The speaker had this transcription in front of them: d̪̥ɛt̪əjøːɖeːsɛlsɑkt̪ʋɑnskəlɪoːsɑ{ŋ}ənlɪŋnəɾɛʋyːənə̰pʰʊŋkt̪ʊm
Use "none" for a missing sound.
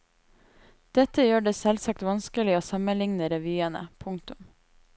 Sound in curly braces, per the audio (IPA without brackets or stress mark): m